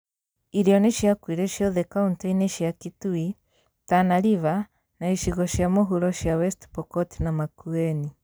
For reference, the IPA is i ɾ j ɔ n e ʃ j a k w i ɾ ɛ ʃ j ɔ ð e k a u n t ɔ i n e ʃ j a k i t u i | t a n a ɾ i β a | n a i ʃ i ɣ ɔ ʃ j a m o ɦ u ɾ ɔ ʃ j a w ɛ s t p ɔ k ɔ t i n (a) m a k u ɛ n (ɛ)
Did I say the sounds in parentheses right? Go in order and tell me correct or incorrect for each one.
correct, incorrect

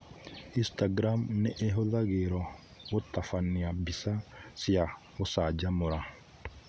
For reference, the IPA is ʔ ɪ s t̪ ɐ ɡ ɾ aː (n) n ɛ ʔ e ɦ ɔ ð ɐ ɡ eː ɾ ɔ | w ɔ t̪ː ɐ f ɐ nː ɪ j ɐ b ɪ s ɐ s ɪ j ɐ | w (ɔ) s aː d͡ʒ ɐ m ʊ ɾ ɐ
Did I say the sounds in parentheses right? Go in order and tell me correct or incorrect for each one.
incorrect, correct

